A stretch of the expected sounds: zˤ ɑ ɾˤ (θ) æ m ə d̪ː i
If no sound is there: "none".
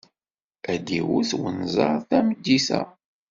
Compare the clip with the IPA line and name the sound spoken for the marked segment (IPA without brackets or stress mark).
θ